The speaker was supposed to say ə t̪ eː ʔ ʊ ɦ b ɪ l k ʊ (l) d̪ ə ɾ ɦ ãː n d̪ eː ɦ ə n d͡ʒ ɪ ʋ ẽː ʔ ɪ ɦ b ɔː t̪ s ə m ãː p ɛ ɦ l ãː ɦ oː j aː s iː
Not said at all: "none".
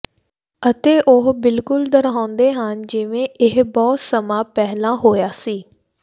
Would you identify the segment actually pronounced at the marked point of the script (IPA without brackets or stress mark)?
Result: l